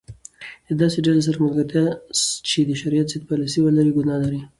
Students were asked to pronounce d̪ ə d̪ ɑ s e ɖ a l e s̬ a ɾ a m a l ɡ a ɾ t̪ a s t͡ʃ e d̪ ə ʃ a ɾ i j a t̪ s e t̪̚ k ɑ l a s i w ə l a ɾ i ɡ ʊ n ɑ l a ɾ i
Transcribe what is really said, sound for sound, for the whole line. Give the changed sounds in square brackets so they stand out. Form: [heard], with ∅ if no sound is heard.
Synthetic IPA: d̪ ə d̪ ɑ s e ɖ a l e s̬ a ɾ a m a l ɡ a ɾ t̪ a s t͡ʃ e d̪ ə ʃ a ɾ i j a t̪ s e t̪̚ [p] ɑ l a s i w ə l a ɾ i ɡ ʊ n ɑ l a ɾ i

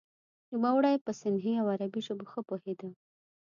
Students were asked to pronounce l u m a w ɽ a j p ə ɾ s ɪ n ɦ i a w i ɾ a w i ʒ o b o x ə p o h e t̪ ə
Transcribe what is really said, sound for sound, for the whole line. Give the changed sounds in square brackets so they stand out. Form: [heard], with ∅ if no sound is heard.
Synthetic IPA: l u m a w ɽ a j p ə [∅] s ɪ n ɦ i a w [a] ɾ a [b] i ʒ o b o x ə p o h e [d̪] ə

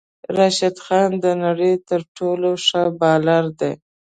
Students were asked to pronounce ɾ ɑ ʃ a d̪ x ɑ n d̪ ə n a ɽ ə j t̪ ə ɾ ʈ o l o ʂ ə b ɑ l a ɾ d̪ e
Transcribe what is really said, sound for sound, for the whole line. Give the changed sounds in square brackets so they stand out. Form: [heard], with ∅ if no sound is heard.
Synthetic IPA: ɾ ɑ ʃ a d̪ x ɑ n d̪ ə n a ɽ ə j t̪ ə ɾ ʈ o l o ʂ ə b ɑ l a ɾ d̪ e

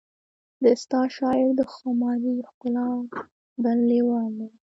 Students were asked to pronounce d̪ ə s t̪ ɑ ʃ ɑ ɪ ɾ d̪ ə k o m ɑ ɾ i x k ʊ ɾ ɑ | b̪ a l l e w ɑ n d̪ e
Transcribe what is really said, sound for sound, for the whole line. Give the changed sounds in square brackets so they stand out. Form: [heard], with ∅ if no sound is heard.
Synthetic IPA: d̪ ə s t̪ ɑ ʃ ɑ ɪ ɾ d̪ ə [x] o m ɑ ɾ i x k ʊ [l] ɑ | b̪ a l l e w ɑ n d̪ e

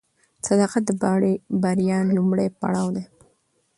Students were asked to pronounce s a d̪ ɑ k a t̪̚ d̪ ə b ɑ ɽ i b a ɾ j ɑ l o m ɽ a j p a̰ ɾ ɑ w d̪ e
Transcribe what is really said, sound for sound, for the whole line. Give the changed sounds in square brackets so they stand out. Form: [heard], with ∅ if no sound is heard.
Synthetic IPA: s a d̪ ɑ [q] a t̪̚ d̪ ə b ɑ ɽ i b a ɾ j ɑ l [u] m ɽ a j p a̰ [ɽ] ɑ w d̪ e

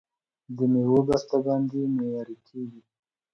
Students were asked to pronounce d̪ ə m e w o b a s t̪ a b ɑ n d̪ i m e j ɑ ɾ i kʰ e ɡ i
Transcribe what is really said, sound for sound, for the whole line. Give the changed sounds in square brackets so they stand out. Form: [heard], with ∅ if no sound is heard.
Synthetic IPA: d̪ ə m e w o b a s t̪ a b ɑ n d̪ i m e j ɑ ɾ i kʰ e ɡ i

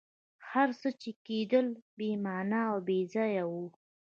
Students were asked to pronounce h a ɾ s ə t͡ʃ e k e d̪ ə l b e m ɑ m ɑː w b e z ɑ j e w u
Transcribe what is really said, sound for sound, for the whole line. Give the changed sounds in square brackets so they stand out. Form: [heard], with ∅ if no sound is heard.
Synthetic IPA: h a ɾ s ə t͡ʃ e k e d̪ ə l b e m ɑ [n] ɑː w b e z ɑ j [a] w u

